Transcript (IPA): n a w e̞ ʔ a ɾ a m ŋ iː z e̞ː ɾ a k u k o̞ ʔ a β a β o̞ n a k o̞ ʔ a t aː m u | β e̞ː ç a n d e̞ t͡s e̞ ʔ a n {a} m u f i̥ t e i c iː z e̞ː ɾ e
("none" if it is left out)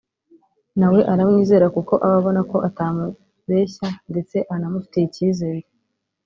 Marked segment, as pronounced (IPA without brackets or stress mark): a